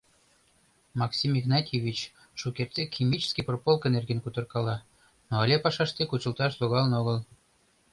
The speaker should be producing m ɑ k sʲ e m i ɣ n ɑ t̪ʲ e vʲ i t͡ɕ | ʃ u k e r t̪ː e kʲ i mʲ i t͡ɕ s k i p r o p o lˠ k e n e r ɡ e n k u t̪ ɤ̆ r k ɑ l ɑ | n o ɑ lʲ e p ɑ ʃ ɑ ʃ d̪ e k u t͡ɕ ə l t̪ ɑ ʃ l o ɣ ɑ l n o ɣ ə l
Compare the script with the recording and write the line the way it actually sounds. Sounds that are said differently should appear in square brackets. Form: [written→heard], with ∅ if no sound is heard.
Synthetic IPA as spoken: m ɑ k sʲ [e→i] m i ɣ n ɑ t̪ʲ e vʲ i t͡ɕ | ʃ u k e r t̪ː e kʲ i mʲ i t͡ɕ s k i p r o p o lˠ k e n e r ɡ e n k u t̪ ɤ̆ r k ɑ l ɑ | n o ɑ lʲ e p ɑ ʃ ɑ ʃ [d̪→t̪] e k u t͡ɕ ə l t̪ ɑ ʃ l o ɣ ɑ l n o ɣ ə l